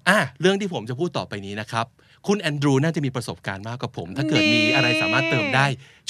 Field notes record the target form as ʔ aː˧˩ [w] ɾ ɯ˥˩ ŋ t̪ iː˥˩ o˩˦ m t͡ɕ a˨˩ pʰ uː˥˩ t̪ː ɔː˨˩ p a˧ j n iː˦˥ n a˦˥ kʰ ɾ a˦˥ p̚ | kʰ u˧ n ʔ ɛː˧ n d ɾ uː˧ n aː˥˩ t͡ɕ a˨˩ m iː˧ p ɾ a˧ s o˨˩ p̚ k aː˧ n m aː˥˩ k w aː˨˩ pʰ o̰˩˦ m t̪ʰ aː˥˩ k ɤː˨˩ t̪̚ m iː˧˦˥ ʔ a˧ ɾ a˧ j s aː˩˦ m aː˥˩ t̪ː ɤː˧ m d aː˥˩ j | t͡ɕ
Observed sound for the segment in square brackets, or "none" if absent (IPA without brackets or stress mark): none